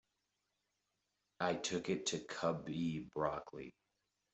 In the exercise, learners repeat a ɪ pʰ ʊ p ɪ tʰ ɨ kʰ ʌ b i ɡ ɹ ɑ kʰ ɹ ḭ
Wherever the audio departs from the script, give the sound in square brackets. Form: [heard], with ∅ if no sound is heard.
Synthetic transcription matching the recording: a ɪ [tʰ] ʊ [k] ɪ tʰ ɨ kʰ ʌ b i [b] ɹ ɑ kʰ [l] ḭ